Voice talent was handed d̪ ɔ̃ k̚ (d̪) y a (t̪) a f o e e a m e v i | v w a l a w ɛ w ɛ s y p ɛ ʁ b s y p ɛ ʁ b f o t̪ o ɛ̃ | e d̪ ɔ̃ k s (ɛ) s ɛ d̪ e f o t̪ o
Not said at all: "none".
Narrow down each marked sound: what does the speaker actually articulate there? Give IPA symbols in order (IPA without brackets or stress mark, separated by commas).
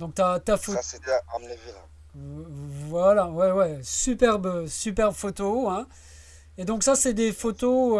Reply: t̪, t̪, a